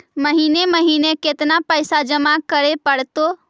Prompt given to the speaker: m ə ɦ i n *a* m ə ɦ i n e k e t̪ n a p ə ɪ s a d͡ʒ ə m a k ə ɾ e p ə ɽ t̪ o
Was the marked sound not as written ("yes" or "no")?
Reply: yes